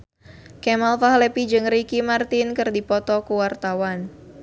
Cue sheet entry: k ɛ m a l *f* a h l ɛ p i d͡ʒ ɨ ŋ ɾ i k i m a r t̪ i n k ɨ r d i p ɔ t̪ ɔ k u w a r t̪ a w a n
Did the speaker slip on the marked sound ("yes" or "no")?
no